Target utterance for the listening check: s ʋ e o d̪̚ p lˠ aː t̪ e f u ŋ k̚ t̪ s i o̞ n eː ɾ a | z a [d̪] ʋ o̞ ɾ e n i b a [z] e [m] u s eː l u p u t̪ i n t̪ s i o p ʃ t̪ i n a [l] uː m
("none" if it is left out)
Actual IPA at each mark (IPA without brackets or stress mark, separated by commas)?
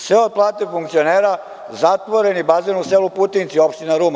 t̪, z, n, ɾ